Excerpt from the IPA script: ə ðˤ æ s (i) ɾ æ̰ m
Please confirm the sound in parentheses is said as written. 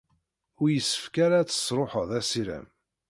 yes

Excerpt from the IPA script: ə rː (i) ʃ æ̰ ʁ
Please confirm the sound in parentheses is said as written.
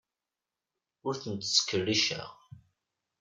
yes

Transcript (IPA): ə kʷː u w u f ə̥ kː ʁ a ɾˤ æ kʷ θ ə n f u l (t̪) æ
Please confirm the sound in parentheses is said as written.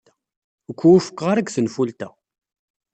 yes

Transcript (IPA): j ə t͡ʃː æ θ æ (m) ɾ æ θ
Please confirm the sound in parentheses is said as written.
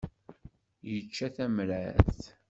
yes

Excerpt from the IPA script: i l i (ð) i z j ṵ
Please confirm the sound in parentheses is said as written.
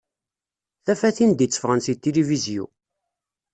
no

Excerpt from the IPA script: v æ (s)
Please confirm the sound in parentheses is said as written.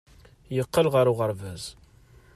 no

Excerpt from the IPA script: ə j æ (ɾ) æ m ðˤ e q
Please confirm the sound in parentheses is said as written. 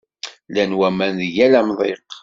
no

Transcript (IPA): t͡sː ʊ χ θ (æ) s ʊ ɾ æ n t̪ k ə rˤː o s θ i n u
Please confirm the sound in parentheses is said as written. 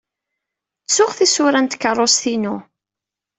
no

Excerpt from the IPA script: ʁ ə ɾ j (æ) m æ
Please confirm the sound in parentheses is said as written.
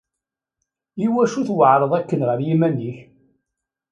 no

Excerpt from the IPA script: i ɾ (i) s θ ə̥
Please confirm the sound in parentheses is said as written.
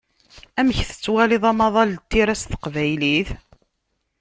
no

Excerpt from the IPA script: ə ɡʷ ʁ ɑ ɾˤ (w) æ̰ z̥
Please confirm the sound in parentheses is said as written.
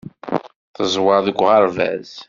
no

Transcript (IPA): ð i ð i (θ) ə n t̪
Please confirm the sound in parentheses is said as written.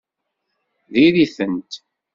yes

